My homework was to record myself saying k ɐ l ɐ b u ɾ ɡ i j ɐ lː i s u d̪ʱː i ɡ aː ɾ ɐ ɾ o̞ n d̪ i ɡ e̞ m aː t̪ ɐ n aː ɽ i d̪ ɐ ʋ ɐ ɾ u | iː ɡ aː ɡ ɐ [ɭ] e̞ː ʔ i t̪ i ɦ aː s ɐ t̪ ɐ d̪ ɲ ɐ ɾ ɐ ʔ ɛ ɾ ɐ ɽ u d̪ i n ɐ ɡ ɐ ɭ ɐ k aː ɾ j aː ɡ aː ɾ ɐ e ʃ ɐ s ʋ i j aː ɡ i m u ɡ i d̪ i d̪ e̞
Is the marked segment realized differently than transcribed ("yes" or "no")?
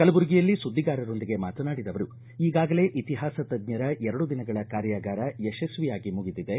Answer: yes